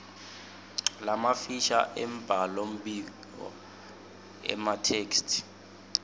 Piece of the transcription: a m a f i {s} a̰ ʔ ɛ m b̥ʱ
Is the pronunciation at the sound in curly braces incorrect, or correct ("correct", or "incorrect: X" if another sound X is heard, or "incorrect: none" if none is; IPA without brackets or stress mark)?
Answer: incorrect: ʃ